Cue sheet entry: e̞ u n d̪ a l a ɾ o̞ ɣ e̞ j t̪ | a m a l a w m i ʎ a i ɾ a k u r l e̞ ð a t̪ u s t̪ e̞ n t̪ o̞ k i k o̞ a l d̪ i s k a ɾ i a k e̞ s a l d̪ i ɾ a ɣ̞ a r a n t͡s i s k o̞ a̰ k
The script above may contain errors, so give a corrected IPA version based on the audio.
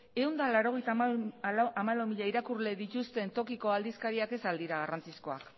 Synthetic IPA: e̞ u n d̪ a l a ɾ o̞ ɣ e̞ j t̪ | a m a l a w m i ʎ a i ɾ a k u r l e̞ ð i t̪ u s t̪ e̞ n t̪ o̞ k i k o̞ a l d̪ i s k a ɾ i a k e̞ s a l d̪ i ɾ a ɣ̞ a r a n t͡s i s k o̞ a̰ k

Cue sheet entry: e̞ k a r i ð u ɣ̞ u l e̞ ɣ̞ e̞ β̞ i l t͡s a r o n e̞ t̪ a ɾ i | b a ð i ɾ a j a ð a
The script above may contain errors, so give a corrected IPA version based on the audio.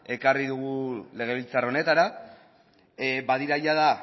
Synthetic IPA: e̞ k a r i ð u ɣ̞ u l e̞ ɣ̞ e̞ β̞ i l t͡s a r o n e̞ t̪ a ɾ a | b a ð i ɾ a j a ð a

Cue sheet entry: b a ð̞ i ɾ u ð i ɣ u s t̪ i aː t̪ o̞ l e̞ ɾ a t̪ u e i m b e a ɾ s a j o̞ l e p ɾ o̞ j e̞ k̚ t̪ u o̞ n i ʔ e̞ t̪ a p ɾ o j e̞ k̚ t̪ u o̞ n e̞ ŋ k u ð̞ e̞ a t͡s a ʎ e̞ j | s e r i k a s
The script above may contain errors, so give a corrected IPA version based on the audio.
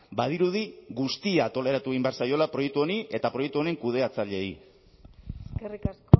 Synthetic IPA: b a ð̞ i ɾ u ð i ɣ u s t̪ i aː t̪ o̞ l e̞ ɾ a t̪ u e i m b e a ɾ s a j o̞ l a p ɾ o̞ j e̞ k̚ t̪ u o̞ n i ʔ e̞ t̪ a p ɾ o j e̞ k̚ t̪ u o̞ n e̞ ŋ k u ð̞ e̞ a t͡s a ʎ e̞ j | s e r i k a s

